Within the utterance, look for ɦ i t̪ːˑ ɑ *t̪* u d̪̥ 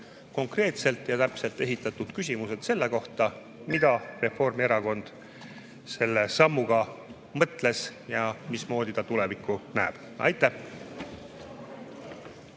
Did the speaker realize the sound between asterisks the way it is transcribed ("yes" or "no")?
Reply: yes